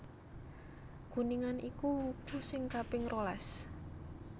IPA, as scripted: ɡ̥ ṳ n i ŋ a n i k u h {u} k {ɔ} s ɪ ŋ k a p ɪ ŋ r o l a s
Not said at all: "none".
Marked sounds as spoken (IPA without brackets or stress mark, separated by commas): u, u